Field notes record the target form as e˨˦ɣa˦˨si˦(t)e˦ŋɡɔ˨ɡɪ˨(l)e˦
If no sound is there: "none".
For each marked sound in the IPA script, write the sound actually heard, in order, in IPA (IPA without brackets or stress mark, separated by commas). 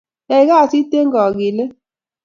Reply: t, l